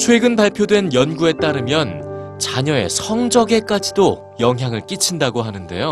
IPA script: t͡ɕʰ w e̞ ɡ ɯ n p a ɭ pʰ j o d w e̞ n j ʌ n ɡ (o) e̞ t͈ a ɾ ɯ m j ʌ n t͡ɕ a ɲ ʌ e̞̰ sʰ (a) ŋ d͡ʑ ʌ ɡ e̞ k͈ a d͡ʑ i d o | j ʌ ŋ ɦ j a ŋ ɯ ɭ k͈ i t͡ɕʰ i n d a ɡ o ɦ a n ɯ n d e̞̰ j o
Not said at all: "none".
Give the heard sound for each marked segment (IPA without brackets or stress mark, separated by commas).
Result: u, ʌ